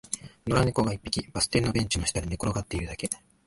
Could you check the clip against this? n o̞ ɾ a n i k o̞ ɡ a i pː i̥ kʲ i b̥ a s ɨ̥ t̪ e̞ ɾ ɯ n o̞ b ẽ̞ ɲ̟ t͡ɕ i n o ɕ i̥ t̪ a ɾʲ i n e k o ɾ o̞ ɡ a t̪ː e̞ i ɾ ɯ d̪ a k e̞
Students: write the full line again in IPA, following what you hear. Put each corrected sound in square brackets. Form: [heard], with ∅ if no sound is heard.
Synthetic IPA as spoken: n o̞ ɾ a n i k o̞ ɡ a i pː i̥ kʲ i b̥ a s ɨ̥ t̪ e̞ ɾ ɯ n o̞ b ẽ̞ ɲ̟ t͡ɕ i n o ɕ i̥ t̪ a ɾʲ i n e k o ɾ o̞ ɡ a t̪ː e̞ i ɾ ɯ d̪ a k e̞